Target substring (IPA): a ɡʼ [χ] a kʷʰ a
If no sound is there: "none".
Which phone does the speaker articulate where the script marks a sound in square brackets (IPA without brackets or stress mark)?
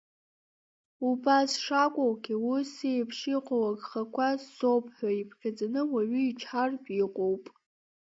χ